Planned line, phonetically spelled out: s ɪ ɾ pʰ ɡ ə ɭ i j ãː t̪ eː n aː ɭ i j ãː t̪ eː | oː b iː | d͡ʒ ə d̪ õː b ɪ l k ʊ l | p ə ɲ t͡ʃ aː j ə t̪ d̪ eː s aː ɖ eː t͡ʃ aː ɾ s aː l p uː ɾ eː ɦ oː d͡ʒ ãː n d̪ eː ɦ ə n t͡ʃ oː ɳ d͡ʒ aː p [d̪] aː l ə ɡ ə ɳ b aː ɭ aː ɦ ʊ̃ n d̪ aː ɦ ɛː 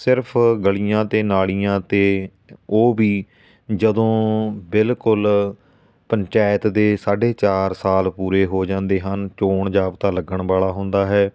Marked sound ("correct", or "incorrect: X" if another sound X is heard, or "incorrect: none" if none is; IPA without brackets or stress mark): incorrect: t̪